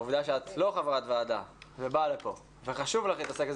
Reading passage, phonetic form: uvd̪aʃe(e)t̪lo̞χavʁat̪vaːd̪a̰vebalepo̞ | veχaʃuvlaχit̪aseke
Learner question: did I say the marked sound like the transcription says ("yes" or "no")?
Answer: no